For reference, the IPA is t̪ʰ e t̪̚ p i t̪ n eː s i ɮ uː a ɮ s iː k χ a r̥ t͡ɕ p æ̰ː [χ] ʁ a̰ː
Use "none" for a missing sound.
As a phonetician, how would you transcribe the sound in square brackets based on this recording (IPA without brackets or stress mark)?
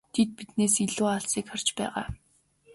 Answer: none